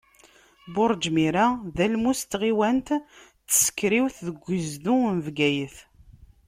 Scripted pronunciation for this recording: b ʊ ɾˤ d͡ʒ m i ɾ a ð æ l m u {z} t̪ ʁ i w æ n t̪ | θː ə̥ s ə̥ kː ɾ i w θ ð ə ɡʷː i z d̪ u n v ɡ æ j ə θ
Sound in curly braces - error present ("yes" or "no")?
yes